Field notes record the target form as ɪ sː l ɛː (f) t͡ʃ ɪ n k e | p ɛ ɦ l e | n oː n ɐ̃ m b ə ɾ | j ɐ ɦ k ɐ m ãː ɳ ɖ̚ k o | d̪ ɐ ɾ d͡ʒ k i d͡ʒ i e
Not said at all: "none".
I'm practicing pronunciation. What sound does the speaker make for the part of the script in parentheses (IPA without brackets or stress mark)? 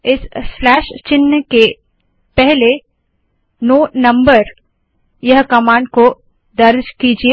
ʃ